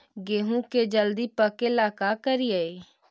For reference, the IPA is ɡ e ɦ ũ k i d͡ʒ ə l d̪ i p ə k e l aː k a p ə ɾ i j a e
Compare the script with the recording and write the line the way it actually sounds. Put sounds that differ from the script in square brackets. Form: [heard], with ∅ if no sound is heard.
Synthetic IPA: ɡ e ɦ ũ k [e] d͡ʒ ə l d̪ i p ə k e l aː k a [k] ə ɾ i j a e